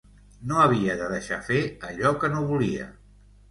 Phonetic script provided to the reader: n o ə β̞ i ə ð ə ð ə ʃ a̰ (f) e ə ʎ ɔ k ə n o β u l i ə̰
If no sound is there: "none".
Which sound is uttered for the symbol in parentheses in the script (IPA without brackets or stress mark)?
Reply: f